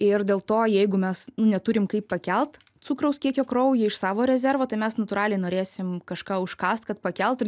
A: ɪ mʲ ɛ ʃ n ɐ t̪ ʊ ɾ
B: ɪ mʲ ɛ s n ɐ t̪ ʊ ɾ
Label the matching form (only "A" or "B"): B